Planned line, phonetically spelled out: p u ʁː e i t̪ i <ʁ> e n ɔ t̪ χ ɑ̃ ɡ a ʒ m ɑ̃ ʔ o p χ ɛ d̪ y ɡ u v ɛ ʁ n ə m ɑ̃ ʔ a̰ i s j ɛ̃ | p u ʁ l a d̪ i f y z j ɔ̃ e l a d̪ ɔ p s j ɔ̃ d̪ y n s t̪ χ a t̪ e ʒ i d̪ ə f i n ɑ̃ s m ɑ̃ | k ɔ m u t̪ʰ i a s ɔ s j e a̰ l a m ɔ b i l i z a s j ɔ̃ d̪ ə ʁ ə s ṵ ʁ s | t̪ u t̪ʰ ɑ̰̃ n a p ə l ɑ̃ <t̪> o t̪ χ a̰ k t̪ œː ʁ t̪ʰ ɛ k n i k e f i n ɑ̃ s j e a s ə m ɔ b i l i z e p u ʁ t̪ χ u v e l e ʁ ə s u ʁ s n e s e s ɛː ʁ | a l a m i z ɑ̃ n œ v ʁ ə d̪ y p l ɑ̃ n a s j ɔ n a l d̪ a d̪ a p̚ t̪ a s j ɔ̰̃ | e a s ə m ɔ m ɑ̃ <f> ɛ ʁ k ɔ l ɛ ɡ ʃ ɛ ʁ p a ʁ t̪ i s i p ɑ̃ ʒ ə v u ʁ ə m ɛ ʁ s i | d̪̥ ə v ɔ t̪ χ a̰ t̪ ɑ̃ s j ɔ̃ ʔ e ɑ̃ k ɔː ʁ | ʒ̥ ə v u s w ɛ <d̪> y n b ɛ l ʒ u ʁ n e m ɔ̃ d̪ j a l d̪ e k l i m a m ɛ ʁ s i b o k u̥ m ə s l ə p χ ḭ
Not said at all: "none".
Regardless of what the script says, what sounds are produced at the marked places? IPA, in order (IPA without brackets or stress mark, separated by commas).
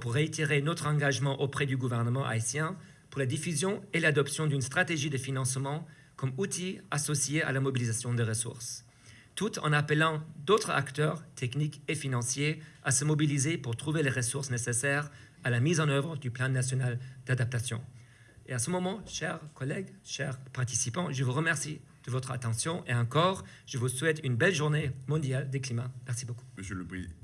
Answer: ʁ, d̪, ʃ, t̪